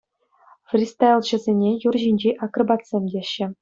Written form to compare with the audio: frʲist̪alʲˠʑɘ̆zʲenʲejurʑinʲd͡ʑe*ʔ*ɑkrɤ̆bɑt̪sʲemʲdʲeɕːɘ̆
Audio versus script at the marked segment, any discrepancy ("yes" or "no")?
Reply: no